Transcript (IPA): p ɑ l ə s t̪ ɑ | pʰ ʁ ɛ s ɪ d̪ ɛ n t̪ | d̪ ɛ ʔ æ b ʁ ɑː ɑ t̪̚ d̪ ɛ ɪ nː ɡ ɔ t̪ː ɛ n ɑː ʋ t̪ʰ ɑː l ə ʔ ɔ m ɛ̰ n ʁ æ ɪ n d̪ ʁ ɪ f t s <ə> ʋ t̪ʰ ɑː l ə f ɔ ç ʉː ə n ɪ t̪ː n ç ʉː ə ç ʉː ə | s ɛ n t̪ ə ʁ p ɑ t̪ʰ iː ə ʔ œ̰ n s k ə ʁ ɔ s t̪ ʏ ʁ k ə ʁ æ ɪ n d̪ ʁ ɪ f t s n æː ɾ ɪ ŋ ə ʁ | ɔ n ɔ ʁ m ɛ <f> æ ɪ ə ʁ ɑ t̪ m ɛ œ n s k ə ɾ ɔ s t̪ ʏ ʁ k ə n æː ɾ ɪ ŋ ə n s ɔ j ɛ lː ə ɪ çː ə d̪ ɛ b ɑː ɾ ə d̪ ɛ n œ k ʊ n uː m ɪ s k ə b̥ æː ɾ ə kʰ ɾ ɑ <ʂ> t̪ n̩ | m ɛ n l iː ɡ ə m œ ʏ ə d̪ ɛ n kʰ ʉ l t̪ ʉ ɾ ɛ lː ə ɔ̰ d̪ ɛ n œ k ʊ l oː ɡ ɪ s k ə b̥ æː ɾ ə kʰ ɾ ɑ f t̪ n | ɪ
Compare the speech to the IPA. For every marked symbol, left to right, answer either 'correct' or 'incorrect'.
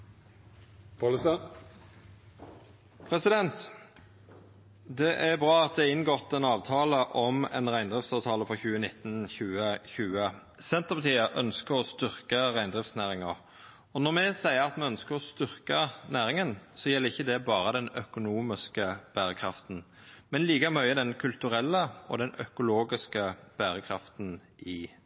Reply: incorrect: ɑ, incorrect: s, incorrect: f

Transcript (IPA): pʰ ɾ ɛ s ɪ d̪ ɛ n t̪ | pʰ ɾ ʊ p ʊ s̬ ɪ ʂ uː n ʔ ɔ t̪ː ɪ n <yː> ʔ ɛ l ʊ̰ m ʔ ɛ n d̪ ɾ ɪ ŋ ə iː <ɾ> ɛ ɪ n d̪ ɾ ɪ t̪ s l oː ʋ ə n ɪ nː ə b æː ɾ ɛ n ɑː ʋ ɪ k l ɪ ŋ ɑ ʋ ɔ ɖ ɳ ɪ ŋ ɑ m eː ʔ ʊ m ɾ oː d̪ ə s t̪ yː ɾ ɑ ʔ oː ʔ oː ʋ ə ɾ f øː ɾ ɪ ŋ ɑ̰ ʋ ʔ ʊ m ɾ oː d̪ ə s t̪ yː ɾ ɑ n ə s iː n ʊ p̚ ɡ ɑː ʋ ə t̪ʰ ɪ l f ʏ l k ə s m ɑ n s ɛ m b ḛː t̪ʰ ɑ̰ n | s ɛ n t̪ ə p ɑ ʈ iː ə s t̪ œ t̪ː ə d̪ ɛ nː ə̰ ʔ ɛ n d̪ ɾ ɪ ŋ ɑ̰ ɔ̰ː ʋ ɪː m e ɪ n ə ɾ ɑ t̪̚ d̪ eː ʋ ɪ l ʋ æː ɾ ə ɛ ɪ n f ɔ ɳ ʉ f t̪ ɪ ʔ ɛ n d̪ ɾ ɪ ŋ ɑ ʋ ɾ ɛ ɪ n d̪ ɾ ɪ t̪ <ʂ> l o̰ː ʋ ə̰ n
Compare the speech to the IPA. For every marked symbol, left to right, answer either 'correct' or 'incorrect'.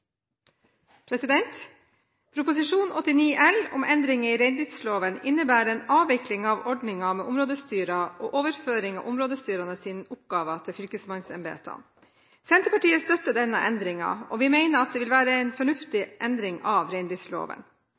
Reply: incorrect: iː, correct, incorrect: s

